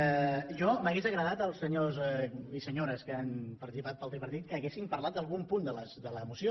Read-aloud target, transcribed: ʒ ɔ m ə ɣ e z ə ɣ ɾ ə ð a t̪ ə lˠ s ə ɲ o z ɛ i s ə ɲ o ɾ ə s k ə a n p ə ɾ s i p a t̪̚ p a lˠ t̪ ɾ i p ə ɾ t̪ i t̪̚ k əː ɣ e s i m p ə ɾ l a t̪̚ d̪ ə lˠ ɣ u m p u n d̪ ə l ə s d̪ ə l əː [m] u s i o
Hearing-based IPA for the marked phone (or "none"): m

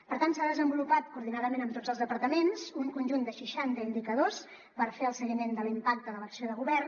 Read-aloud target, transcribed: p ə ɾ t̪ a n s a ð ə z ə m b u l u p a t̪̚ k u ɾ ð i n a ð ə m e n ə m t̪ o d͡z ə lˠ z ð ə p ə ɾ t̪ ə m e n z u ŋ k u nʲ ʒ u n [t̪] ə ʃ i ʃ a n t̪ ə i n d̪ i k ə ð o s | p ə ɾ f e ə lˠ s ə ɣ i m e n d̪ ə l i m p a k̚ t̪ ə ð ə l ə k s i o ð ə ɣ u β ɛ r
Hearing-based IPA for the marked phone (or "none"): d̪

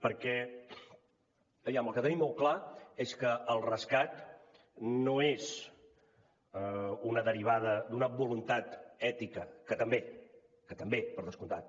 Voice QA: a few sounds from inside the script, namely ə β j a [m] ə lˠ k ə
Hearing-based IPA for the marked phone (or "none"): m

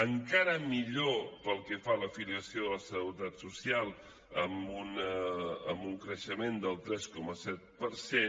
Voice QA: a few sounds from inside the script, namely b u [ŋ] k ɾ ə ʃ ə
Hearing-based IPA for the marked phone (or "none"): ŋ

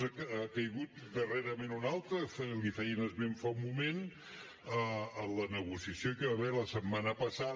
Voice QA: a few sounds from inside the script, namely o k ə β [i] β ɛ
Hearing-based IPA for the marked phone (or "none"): a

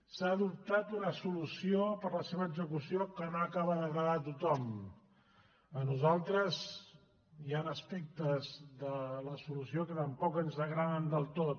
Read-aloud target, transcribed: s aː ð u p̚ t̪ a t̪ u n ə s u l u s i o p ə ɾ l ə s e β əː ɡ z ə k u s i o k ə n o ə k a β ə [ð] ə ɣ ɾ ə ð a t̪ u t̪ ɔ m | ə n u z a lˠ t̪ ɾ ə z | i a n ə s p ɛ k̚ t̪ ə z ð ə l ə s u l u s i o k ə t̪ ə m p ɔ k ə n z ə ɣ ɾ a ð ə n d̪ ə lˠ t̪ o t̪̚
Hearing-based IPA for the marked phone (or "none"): ð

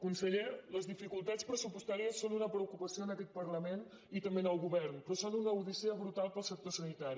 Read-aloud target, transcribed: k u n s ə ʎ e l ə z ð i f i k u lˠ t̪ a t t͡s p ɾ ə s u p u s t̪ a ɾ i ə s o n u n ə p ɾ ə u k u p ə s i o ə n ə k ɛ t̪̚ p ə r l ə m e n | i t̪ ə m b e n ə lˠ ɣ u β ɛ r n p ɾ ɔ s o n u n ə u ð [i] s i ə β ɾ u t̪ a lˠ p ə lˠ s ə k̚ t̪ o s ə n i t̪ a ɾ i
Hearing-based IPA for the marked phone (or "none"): i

